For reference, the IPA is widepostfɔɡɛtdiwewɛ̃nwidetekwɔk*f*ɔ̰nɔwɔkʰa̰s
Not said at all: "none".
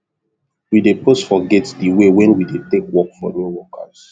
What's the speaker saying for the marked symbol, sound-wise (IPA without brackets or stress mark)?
f